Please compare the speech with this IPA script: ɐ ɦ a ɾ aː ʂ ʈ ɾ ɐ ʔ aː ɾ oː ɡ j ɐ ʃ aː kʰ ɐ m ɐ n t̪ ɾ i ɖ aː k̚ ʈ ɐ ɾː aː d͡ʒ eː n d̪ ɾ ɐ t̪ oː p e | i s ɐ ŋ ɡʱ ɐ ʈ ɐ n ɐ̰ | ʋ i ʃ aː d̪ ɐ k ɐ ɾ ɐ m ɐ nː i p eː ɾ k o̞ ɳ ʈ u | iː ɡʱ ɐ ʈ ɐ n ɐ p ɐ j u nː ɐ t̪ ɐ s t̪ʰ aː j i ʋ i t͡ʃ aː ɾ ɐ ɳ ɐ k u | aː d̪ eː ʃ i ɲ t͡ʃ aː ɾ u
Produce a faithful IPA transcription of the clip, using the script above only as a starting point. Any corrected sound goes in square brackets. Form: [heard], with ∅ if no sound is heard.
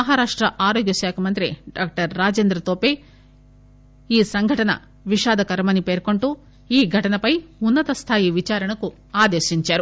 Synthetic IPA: ɐ ɦ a ɾ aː ʂ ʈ ɾ ɐ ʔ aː ɾ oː ɡ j ɐ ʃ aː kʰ ɐ m ɐ n t̪ ɾ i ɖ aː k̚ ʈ ɐ ɾː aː d͡ʒ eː n d̪ ɾ ɐ t̪ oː p e | [iː] s ɐ ŋ ɡʱ ɐ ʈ ɐ n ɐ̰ | ʋ i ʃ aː d̪ ɐ k ɐ ɾ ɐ m ɐ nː i p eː ɾ k o̞ ɳ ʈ u | iː ɡʱ ɐ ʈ ɐ n ɐ p ɐ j u nː ɐ t̪ ɐ s t̪ʰ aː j i ʋ i t͡ʃ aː ɾ ɐ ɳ ɐ k u | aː d̪ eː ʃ i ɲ t͡ʃ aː ɾ u

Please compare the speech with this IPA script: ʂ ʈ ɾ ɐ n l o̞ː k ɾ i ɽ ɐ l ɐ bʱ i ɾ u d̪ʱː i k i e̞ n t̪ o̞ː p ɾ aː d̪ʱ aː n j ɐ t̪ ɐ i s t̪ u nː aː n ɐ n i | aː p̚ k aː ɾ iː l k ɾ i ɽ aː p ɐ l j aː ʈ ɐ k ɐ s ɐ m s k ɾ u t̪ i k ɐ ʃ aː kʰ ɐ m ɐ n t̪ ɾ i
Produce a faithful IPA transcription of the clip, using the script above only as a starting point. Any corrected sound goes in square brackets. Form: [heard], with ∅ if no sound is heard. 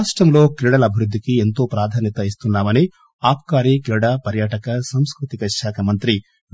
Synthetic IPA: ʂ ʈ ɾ ɐ [m] l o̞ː k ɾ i ɽ ɐ l ɐ bʱ i ɾ u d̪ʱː i k i e̞ n t̪ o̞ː p ɾ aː d̪ʱ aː n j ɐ t̪ ɐ i s t̪ u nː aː [m] ɐ n i | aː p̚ k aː ɾ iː [∅] k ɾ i ɽ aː p ɐ [ɾ] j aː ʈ ɐ k ɐ s ɐ m s k ɾ u t̪ i k ɐ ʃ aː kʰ ɐ m ɐ n t̪ ɾ i

